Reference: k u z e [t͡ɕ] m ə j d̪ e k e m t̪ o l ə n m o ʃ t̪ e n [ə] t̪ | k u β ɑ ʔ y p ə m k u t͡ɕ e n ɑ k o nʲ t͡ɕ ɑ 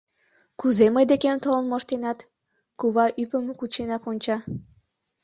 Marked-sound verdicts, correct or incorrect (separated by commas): incorrect, incorrect